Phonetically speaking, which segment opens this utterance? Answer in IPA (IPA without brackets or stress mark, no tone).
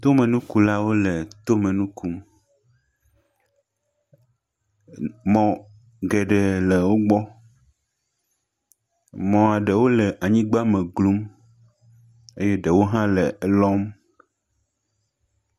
t̪